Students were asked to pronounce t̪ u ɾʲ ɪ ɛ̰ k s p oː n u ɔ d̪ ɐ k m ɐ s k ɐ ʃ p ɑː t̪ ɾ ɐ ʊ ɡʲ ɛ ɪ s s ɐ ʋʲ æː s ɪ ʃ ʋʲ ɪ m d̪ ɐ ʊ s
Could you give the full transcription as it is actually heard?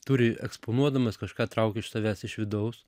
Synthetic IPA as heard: t̪ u ɾʲ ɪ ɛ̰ k s p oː n u ɔ d̪ ɐ m ɐ s k ɐ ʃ k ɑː t̪ ɾ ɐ ʊ kʲ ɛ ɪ ʃ s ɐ ʋʲ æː s ɪ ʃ ʋʲ ɪ d̪ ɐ ʊ s